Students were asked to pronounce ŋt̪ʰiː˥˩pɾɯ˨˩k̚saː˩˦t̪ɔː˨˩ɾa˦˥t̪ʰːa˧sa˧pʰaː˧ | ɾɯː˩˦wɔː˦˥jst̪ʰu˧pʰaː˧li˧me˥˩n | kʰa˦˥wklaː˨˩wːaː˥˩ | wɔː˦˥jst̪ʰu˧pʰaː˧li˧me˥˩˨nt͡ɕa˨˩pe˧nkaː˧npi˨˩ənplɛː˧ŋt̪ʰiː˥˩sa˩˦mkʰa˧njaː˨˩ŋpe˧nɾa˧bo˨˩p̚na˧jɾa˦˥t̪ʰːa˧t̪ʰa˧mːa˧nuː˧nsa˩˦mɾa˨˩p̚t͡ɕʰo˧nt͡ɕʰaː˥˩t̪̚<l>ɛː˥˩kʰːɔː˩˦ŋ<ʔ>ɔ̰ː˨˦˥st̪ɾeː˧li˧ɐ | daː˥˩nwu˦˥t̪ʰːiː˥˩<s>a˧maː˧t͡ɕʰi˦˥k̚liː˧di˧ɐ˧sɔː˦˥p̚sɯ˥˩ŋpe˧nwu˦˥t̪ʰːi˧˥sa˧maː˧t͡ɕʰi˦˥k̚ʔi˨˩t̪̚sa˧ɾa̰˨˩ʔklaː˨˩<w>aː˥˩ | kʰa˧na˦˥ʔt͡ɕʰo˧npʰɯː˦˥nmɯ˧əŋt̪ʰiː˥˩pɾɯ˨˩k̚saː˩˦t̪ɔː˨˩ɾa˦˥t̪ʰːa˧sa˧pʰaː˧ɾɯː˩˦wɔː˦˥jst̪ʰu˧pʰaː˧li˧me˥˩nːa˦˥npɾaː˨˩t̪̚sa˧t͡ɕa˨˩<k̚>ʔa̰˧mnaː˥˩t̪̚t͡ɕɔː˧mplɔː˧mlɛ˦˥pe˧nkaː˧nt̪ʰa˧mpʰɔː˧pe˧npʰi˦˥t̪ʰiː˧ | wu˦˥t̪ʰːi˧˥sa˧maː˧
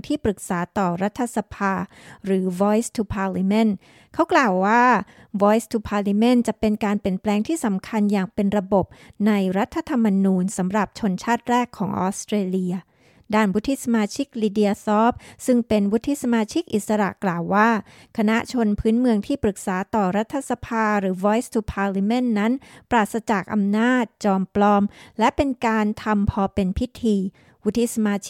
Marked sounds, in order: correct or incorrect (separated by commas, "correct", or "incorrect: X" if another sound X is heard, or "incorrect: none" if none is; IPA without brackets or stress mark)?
incorrect: ɾ, correct, correct, incorrect: wː, correct